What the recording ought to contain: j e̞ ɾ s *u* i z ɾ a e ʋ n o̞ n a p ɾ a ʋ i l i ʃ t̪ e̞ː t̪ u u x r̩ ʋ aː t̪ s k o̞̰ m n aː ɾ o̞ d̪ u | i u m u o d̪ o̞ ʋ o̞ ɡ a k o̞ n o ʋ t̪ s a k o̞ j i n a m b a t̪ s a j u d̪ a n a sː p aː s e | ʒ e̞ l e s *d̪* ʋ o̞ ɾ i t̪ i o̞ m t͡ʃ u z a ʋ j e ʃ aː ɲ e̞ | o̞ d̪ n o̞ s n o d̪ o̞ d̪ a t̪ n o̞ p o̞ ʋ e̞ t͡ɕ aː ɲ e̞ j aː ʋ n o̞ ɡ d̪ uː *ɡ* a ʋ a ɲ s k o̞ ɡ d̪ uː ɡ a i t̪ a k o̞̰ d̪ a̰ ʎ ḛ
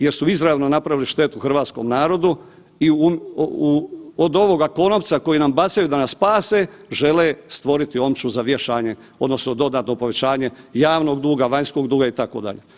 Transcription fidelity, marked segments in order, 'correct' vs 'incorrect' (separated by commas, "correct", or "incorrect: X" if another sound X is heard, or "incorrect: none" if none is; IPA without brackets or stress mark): correct, incorrect: t̪, correct